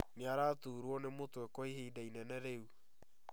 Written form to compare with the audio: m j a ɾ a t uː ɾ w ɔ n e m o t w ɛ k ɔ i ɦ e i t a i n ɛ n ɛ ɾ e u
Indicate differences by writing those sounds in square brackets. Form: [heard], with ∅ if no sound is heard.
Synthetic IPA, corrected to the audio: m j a ɾ a t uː ɾ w ɔ n e m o t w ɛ k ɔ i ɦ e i [d] a i n ɛ n ɛ ɾ e u